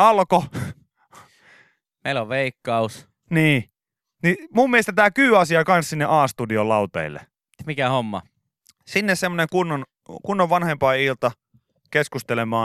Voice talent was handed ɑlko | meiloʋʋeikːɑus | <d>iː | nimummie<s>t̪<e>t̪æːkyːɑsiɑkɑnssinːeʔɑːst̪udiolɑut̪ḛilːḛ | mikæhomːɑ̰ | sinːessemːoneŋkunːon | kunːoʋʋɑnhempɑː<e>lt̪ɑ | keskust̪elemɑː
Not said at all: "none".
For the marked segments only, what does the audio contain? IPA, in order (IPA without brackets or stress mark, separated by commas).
n, s, æ, i